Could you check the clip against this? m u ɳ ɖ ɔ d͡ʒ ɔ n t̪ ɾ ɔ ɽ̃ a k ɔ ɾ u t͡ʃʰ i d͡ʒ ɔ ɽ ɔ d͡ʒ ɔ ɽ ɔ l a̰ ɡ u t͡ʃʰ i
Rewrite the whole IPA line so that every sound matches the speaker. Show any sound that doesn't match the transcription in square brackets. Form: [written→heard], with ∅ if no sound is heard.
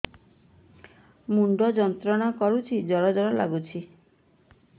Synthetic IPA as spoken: m u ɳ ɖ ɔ d͡ʒ ɔ n t̪ ɾ ɔ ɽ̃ a k ɔ ɾ u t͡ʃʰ i d͡ʒ ɔ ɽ ɔ d͡ʒ ɔ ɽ ɔ l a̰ ɡ u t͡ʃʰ i

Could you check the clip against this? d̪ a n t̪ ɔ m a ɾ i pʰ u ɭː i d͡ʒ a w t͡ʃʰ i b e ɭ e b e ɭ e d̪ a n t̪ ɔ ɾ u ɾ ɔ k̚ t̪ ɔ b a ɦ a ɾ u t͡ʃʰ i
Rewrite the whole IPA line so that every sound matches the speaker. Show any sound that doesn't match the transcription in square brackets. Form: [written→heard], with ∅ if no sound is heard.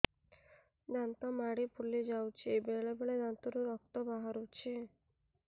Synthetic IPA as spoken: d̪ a n t̪ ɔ m a [ɾ→ɽ] i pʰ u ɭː i d͡ʒ a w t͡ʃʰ i b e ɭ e b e ɭ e d̪ a n t̪ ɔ ɾ u ɾ ɔ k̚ t̪ ɔ b a ɦ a ɾ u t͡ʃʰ i

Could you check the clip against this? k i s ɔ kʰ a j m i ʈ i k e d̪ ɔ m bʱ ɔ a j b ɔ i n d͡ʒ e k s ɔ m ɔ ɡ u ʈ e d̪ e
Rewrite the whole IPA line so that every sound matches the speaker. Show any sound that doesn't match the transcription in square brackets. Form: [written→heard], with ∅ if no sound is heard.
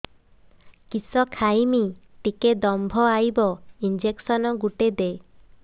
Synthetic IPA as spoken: k i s ɔ kʰ a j m i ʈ i k e d̪ ɔ m bʱ ɔ a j b ɔ i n d͡ʒ e k s ɔ [m→n] ɔ ɡ u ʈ e d̪ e

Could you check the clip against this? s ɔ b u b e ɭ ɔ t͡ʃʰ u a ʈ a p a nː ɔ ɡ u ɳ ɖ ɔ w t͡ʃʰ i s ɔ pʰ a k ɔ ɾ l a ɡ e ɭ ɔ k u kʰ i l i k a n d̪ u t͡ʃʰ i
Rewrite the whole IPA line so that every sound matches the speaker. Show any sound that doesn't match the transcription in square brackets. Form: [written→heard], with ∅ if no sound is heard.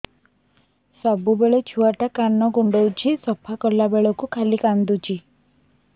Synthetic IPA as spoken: s ɔ b u b e ɭ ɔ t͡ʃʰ u a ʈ a [p→k] a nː ɔ ɡ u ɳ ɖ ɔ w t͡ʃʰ i s ɔ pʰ a k ɔ ɾ l a [ɡ→b] e ɭ ɔ k u kʰ [i→a] l i k a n d̪ u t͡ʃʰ i

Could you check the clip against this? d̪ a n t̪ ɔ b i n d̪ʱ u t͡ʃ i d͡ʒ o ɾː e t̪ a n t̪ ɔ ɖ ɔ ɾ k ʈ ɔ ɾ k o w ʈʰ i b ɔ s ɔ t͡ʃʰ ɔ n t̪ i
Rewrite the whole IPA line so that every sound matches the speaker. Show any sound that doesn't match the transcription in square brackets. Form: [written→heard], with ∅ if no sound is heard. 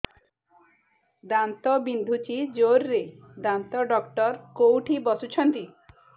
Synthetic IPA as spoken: d̪ a n t̪ ɔ b i n d̪ʱ u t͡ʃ i d͡ʒ o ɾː e [t̪→d̪] a n t̪ ɔ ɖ ɔ [ɾ→∅] k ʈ ɔ ɾ k o w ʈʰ i b ɔ s [ɔ→u] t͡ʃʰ ɔ n t̪ i

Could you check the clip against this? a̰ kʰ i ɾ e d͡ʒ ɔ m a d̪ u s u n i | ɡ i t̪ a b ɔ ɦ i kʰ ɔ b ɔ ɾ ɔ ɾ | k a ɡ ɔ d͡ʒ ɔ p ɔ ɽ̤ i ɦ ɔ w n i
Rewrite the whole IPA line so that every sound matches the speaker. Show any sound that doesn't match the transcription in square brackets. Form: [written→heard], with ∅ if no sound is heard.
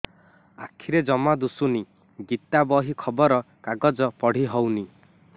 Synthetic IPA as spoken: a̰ kʰ i ɾ e d͡ʒ ɔ m a d̪ u s u n i | ɡ i t̪ a b ɔ ɦ i kʰ ɔ b ɔ ɾ ɔ [ɾ→∅] | k a ɡ ɔ d͡ʒ ɔ p ɔ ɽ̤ i ɦ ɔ w n i

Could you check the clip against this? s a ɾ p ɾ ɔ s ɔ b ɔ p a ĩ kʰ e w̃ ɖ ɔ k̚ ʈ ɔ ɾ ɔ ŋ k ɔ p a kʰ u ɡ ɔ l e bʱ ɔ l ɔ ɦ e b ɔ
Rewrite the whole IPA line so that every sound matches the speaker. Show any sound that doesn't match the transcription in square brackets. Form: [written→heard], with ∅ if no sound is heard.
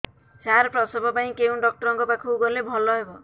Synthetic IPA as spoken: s a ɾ p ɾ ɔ s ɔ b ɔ p a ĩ [kʰ→k] e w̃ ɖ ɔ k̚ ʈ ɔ ɾ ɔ ŋ k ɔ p a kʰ u ɡ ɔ l e bʱ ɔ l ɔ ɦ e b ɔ

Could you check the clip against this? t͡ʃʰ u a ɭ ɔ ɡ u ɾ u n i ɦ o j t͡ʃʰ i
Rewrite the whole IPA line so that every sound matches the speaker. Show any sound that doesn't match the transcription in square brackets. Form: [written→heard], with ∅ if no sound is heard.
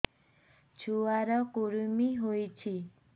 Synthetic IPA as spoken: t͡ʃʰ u a [ɭ→ɾ] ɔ [ɡ→k] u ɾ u [n→m] i ɦ o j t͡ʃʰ i

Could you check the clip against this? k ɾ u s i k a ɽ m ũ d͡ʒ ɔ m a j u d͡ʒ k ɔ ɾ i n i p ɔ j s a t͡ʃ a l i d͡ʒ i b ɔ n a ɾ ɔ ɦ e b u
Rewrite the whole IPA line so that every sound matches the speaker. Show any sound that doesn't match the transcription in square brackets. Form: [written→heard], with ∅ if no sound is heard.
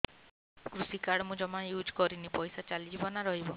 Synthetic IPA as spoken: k ɾ u s i k a ɽ m ũ d͡ʒ ɔ m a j u d͡ʒ k ɔ ɾ i n i p ɔ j s a t͡ʃ a l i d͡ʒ i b ɔ n a ɾ ɔ ɦ [e→i] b [u→ɔ]

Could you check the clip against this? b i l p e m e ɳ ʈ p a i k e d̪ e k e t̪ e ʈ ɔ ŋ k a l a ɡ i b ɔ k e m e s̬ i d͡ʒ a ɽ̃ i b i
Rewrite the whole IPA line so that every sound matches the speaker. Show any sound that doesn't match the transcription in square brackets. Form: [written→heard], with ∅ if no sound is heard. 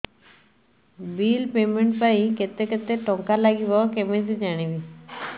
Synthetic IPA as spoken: b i l p e m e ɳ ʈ p a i k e [d̪→t̪] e k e t̪ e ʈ ɔ ŋ k a l a ɡ i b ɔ k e m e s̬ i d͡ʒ a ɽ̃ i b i

